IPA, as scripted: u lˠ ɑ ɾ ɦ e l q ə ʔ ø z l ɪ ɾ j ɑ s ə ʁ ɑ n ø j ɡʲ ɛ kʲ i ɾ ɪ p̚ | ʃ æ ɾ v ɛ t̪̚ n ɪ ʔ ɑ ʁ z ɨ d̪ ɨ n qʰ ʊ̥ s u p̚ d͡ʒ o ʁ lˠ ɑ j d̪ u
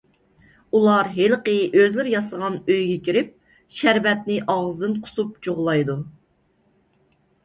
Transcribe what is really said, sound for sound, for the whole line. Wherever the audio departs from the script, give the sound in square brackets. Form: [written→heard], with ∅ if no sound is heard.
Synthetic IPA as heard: u lˠ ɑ ɾ ɦ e l q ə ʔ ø z l ɪ ɾ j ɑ s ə ʁ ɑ n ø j ɡʲ ɛ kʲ i ɾ ɪ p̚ | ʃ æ ɾ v ɛ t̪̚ n ɪ ʔ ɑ ʁ z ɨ d̪ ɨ n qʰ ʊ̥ s u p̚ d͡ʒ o ʁ lˠ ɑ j d̪ u